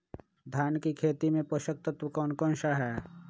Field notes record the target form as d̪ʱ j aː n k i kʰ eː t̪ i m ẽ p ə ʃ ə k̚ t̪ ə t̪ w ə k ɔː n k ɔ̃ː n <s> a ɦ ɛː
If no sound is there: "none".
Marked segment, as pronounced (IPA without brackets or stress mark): ʃ